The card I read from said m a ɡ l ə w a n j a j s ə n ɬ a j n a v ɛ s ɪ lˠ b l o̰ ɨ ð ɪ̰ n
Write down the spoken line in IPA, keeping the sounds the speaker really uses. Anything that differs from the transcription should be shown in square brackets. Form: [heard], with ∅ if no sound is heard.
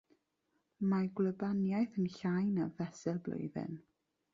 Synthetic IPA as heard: m a ɡ l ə [b] a n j a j [θ] ə n ɬ a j n a v ɛ s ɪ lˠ b l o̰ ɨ ð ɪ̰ n